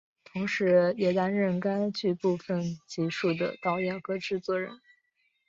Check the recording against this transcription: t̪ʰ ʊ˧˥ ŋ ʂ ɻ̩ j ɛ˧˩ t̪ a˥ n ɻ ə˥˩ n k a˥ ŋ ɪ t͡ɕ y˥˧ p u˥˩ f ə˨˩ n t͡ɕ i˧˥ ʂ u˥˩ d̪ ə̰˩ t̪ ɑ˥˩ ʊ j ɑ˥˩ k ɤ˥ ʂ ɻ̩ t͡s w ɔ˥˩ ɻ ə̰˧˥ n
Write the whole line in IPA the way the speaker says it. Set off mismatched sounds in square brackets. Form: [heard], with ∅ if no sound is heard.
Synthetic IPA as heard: t̪ʰ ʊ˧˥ ŋ ʂ ɻ̩ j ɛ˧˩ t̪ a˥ n ɻ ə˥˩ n k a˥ [∅] ɪ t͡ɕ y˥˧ p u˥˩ f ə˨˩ n t͡ɕ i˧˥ ʂ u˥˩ d̪ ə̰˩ t̪ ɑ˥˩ ʊ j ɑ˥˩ k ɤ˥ [ʈ͡ʂ] ɻ̩ t͡s w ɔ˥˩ ɻ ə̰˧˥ n